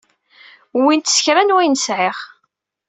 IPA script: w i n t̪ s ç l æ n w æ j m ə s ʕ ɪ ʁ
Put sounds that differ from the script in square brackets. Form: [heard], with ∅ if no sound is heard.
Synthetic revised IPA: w i n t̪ s ç [ɾ] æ n w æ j [n] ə s ʕ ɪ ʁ